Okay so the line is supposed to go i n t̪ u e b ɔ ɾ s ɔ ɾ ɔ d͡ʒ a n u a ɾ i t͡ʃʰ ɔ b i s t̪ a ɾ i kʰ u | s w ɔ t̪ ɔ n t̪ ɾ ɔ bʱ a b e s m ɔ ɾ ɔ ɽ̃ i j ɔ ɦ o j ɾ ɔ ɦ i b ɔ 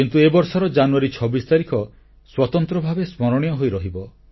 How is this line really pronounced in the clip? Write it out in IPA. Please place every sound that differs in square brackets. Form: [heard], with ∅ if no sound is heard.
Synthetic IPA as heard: i n t̪ u e b ɔ ɾ s ɔ ɾ ɔ d͡ʒ a n u a ɾ i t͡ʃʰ ɔ b i s t̪ a ɾ i kʰ [ɔ] | s w ɔ t̪ ɔ n t̪ ɾ ɔ bʱ a b e s m ɔ ɾ ɔ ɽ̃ i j ɔ ɦ o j ɾ ɔ ɦ i b ɔ